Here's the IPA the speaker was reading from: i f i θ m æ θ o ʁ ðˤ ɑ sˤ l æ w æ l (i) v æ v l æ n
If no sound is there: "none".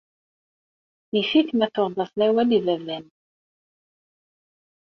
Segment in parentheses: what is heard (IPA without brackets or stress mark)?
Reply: i